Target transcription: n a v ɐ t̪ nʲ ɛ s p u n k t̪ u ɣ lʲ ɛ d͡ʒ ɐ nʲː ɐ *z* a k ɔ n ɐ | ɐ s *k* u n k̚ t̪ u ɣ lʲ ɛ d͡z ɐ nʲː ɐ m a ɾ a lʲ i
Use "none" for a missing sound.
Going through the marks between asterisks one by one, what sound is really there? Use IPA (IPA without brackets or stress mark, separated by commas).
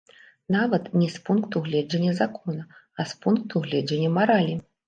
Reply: z, p